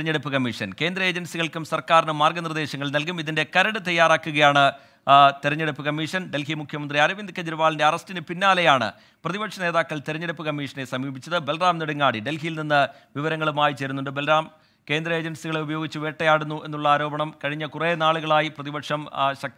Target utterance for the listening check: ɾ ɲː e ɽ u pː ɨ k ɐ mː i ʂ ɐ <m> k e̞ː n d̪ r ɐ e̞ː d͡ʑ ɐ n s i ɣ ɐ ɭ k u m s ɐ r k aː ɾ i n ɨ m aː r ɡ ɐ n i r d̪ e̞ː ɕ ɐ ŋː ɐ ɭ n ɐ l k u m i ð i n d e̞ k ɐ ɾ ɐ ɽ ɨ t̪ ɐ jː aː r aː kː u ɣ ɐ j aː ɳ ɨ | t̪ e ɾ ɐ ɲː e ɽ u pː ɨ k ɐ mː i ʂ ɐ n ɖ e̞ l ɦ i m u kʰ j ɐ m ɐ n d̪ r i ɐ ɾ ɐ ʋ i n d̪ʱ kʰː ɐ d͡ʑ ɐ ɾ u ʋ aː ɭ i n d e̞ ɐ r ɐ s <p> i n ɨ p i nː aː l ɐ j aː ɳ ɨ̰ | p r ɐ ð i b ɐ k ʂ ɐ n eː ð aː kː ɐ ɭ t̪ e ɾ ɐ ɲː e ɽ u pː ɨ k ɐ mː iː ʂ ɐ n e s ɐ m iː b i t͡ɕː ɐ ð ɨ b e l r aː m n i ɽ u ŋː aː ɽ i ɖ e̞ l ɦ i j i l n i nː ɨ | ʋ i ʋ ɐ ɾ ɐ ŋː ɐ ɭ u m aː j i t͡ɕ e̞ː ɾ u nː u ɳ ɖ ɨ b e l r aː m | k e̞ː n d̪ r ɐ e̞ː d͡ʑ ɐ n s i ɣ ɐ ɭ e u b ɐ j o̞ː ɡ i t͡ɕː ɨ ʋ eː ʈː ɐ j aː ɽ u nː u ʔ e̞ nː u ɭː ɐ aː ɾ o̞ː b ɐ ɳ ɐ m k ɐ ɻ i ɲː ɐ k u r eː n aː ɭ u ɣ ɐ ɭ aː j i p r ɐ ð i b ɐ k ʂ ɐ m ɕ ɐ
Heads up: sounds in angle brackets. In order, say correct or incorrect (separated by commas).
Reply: incorrect, incorrect